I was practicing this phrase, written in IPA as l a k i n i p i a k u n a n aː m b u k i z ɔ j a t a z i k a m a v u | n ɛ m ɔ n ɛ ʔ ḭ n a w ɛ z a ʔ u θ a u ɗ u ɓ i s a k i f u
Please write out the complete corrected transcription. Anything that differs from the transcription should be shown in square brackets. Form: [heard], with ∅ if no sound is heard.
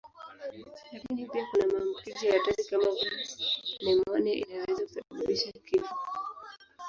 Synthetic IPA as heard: l a k i n i p i a k u n a [m] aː m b u k i z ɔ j a t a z i k a m a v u | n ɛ m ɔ n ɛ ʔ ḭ n a w ɛ z a [k] u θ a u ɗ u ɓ i [ʃ] a k i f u